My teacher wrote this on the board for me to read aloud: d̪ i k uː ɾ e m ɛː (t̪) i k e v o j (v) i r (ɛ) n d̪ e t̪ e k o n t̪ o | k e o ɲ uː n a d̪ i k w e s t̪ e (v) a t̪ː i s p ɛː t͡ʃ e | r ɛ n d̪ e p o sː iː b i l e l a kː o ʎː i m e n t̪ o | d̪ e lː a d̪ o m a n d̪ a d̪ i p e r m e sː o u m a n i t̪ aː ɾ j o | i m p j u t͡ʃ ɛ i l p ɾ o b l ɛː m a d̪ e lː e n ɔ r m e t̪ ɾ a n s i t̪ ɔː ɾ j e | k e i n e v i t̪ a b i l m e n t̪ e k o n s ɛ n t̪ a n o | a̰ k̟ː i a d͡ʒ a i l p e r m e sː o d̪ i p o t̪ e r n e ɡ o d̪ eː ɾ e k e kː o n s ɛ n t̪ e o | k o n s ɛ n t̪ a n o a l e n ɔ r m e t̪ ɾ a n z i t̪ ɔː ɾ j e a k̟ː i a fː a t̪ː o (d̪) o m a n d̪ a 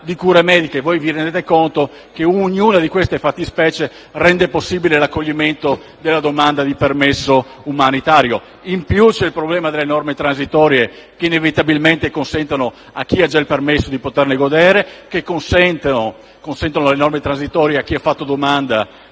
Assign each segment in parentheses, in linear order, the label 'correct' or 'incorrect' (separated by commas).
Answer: incorrect, correct, incorrect, incorrect, correct